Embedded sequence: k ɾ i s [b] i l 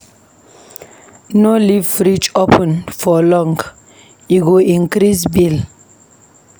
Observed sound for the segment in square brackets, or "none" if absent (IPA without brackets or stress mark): b